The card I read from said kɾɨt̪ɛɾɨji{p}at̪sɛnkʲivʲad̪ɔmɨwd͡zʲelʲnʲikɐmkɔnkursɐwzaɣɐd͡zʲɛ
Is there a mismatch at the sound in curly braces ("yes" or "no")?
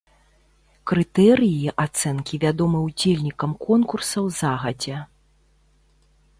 yes